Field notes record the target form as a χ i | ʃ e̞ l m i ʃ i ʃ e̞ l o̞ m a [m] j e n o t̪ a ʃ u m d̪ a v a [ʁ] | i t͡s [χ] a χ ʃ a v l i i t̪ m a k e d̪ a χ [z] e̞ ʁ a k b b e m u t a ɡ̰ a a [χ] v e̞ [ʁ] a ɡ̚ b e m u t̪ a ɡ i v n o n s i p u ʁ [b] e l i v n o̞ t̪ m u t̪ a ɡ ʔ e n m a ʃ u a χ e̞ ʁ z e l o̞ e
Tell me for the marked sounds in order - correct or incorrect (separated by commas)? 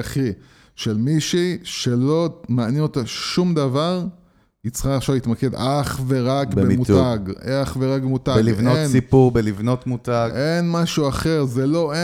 incorrect, correct, correct, incorrect, correct, correct, correct